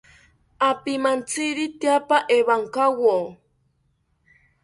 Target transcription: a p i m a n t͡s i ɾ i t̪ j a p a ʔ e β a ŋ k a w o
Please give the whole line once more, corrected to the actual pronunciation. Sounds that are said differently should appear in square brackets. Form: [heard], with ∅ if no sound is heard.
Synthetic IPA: a p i m a n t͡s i ɾ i t̪ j a p a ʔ e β a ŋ k a w o